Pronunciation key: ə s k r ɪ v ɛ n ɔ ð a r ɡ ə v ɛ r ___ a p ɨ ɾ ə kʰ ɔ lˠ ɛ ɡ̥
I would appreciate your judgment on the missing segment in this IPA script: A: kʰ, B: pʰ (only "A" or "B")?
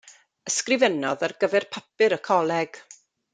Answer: B